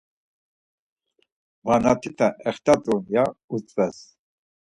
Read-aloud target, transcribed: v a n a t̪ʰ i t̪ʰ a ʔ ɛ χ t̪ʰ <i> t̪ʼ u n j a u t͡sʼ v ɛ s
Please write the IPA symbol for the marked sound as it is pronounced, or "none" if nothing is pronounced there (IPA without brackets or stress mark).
a